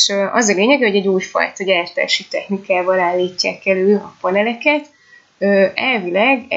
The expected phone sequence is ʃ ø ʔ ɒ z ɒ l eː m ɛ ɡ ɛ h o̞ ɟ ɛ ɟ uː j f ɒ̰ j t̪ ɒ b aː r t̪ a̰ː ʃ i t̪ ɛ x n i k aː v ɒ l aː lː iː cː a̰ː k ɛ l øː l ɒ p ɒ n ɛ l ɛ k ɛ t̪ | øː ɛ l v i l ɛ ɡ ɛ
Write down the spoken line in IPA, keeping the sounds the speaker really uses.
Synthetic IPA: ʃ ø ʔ ɒ z ɒ l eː ɲ ɛ ɡ ɛ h o̞ ɟ ɛ ɟ uː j f ɒ̰ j t̪ ɒ ɟ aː r t̪ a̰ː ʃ i t̪ ɛ x n i k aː v ɒ l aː lː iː cː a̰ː k ɛ l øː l ɒ p ɒ n ɛ l ɛ k ɛ t̪ | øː ɛ l v i l ɛ ɡ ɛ